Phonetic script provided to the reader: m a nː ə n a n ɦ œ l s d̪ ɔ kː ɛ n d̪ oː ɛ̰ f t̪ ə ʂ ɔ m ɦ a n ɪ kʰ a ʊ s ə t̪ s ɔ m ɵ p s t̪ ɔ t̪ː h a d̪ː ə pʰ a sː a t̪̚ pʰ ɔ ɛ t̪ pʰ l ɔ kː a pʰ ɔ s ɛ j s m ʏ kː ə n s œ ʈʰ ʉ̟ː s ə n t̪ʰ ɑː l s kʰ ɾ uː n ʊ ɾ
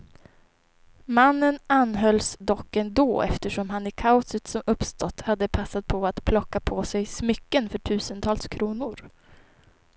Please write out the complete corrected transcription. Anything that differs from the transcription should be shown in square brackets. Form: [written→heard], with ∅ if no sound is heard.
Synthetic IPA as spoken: m a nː ə n a n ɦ œ l s d̪ ɔ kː ɛ n d̪ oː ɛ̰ f t̪ ə ʂ ɔ m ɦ a n ɪ kʰ a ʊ s ə t̪ s ɔ m ɵ p s t̪ ɔ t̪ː h a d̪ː ə pʰ a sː a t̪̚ pʰ ɔ [ɛ→a] t̪ pʰ l ɔ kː a pʰ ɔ s ɛ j s m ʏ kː ə n [s→f] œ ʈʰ ʉ̟ː s ə n t̪ʰ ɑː l s kʰ ɾ uː n ʊ ɾ

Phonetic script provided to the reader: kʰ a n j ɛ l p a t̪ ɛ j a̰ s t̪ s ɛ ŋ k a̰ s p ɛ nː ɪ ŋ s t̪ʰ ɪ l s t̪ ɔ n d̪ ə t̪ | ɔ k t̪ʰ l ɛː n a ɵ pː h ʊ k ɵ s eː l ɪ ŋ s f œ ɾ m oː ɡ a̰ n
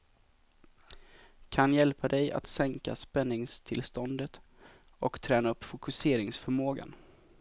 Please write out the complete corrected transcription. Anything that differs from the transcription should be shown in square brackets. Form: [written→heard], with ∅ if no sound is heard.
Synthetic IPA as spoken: kʰ a n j ɛ l p a [t̪→d̪] ɛ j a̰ [s→∅] t̪ s ɛ ŋ k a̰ s p ɛ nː ɪ ŋ s t̪ʰ ɪ l s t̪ ɔ n d̪ ə t̪ | ɔ k t̪ʰ [l→ɾ] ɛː n a ɵ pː [h→f] ʊ k ɵ s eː [l→ɾ] ɪ ŋ s f œ ɾ m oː ɡ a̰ n

